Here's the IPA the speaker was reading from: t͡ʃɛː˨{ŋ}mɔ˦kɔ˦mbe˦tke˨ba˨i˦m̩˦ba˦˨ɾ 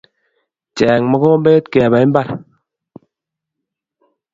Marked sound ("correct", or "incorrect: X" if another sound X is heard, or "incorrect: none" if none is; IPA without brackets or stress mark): correct